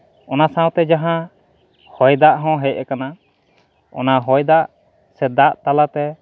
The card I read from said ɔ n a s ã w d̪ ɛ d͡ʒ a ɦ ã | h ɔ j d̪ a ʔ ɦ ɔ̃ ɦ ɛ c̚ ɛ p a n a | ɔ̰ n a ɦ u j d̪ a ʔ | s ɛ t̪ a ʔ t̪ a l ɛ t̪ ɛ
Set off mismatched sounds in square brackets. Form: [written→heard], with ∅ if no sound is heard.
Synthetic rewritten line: ɔ n a s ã w [d̪→t̪] ɛ d͡ʒ a ɦ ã | h ɔ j d̪ a ʔ ɦ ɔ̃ ɦ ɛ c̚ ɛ [p→k] a n a | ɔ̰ n a ɦ [u→ɔ] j d̪ a ʔ | s ɛ [t̪→d̪] a ʔ t̪ a l [ɛ→a] t̪ ɛ